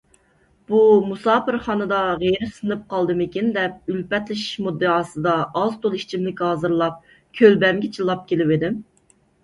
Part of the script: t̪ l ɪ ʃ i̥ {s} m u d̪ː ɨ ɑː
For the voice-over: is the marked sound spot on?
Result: no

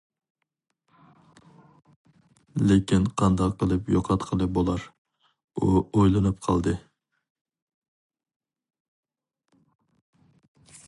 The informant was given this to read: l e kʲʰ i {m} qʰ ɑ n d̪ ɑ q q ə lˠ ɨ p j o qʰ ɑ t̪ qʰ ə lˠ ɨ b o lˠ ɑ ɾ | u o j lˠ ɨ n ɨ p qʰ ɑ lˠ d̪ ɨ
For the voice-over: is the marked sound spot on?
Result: no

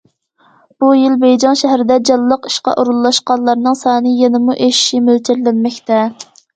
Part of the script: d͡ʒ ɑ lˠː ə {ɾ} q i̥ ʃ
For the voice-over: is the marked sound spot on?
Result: no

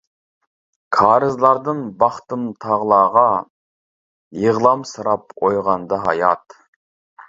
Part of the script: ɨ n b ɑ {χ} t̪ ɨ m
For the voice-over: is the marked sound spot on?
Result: yes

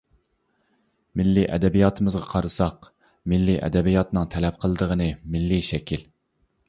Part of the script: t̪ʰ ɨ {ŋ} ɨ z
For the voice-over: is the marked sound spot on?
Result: no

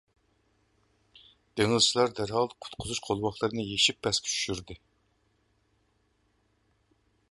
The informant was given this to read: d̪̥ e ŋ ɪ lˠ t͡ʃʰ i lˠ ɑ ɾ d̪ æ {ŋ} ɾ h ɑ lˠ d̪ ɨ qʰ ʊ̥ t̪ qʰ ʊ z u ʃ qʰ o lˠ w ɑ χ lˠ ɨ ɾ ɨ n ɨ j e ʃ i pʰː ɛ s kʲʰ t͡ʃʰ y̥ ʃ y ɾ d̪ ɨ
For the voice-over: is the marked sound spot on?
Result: no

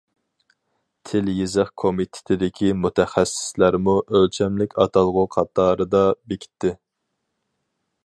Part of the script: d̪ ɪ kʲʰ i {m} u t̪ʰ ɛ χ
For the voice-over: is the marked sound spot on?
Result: yes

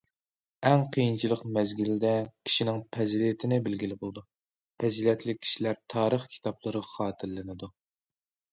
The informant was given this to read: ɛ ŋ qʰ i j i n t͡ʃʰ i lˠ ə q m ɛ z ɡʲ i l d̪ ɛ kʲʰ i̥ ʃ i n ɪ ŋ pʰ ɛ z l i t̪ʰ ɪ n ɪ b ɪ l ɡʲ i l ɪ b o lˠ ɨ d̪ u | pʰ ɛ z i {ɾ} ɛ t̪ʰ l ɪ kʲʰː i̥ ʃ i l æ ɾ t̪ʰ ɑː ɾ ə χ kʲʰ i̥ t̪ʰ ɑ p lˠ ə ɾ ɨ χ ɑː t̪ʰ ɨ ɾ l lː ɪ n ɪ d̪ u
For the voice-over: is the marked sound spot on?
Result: no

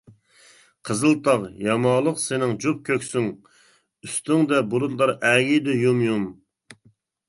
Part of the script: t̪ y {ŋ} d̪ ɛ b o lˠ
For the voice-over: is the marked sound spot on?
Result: yes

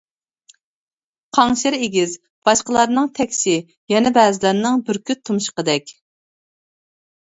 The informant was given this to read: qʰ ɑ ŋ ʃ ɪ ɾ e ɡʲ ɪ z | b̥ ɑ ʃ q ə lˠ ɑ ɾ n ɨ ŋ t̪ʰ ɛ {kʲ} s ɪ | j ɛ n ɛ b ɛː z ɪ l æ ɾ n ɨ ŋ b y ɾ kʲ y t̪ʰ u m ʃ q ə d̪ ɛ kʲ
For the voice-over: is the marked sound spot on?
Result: yes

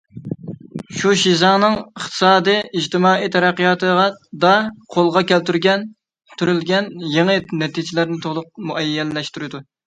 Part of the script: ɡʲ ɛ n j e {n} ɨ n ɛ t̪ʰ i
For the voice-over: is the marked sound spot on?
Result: no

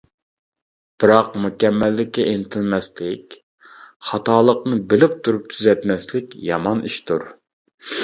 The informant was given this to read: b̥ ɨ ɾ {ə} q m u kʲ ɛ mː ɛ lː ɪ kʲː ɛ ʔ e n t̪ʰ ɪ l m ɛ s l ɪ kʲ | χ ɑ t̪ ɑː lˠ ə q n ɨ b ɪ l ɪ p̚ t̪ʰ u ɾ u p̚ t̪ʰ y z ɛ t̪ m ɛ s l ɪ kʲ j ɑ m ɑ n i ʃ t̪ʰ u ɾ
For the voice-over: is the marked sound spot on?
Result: no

